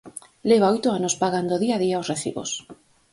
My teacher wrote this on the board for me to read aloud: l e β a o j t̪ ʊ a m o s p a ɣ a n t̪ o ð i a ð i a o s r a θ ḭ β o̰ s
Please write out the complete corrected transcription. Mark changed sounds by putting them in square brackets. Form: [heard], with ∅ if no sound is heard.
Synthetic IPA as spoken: l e β a o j t̪ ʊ a [n] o s p a ɣ a n [d̪] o ð i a ð i a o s r [e] θ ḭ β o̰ s